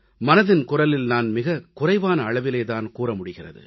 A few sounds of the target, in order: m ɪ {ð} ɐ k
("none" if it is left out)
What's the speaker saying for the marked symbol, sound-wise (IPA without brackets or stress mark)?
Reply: ɣ